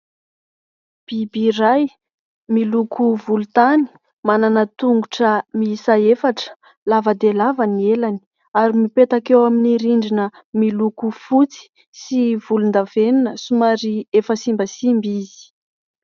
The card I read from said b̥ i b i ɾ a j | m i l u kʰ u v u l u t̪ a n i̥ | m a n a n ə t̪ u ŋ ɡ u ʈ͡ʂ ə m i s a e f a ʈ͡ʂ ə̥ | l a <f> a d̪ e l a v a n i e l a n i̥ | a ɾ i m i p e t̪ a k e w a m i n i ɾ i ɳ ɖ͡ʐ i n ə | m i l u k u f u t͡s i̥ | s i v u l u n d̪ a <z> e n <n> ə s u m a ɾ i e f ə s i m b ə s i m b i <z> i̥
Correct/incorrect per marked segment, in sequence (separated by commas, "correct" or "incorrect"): incorrect, incorrect, correct, correct